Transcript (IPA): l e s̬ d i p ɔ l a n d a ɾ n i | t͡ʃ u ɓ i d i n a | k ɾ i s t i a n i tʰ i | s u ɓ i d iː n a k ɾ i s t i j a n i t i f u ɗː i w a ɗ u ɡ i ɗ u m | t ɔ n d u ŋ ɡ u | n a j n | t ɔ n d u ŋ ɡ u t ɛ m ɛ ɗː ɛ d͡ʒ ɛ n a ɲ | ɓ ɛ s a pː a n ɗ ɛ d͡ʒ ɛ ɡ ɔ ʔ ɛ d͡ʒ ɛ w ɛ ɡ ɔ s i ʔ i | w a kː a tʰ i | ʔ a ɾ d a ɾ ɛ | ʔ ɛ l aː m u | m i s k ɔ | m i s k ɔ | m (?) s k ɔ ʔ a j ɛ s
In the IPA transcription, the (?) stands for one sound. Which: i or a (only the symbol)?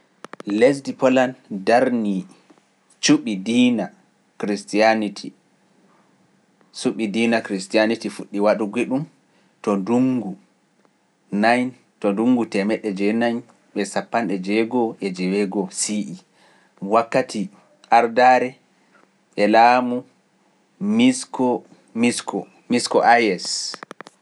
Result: i